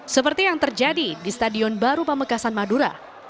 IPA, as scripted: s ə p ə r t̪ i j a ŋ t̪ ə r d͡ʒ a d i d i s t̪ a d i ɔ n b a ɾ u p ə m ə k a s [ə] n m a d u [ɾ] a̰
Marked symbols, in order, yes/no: no, yes

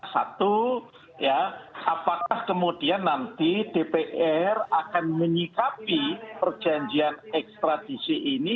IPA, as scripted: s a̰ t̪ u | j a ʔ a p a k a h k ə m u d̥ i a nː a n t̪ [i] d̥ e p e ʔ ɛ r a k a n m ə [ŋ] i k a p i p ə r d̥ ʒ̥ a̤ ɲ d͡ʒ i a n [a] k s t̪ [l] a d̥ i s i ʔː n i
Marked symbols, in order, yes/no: yes, no, no, no

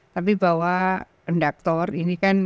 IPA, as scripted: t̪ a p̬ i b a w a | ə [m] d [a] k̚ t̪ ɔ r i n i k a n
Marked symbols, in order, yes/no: no, yes

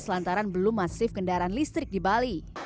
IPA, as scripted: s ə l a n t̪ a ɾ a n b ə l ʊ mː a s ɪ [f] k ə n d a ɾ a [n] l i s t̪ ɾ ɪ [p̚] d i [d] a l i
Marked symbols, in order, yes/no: yes, yes, no, no

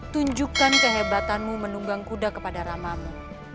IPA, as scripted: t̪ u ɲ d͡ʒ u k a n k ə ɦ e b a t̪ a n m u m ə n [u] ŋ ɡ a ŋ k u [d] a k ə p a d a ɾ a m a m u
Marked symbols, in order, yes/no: yes, yes

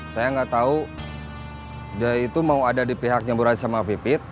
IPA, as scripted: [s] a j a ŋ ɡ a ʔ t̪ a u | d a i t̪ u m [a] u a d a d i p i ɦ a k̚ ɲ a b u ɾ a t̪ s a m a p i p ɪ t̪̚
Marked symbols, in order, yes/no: yes, yes

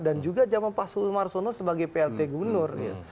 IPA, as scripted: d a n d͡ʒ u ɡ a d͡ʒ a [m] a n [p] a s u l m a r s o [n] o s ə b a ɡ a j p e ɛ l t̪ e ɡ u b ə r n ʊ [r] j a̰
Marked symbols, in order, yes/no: yes, yes, yes, yes

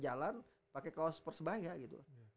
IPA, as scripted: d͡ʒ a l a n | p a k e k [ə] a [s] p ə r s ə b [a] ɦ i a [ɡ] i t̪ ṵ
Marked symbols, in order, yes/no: no, yes, yes, yes

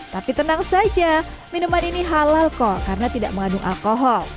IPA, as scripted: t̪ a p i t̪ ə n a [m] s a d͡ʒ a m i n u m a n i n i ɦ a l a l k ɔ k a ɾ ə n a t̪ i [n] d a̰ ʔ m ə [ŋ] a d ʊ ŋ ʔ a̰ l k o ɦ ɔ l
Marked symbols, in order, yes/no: no, no, yes

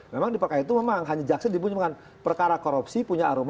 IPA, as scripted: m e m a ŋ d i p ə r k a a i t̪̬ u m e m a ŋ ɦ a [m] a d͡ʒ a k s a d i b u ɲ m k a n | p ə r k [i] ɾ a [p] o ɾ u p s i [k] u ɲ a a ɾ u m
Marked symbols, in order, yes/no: no, no, no, no

